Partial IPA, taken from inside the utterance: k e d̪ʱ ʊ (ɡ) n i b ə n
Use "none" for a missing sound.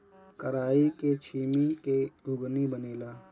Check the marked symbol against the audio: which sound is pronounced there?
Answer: ɡ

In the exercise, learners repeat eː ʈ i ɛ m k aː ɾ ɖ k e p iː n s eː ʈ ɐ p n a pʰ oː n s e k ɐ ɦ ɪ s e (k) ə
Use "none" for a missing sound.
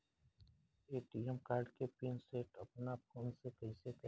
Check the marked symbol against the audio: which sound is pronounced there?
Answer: k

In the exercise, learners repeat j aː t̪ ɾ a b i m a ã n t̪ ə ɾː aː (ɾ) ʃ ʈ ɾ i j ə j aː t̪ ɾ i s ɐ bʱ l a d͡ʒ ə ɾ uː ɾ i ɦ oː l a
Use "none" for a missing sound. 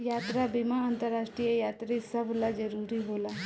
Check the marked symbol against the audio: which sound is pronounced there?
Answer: none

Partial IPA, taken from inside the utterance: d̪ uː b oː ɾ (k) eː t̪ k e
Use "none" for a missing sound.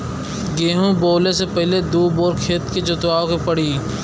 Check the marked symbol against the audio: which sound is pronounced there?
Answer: kʰ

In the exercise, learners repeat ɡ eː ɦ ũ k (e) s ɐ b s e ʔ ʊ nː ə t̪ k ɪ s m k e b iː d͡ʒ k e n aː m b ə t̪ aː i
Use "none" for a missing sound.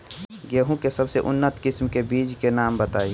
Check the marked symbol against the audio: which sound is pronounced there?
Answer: e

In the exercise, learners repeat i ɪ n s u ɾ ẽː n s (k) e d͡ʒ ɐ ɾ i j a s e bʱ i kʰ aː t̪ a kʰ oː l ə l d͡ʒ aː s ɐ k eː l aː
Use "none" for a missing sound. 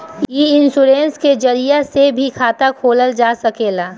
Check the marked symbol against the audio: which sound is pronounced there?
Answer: k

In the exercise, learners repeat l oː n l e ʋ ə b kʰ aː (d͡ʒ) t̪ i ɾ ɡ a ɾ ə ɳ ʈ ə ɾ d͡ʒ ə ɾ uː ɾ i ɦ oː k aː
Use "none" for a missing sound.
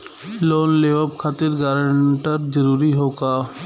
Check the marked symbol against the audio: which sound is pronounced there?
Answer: none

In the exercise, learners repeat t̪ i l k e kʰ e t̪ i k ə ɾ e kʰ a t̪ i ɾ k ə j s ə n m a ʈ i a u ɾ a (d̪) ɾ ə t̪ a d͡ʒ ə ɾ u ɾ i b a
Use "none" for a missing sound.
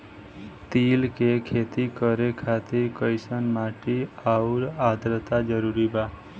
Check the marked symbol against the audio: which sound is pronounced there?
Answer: d̪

